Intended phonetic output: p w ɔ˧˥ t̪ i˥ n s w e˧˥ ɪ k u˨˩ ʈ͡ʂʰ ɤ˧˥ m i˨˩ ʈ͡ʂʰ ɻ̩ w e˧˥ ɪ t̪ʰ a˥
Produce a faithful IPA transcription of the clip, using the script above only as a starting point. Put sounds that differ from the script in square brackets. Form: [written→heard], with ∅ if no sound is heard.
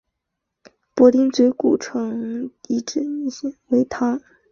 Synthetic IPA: p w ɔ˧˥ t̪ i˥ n [s→t͡s] w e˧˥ ɪ k u˨˩ ʈ͡ʂʰ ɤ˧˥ [m→ŋ] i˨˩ [ʈ͡ʂʰ→ʈ͡ʂ] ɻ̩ w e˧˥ ɪ t̪ʰ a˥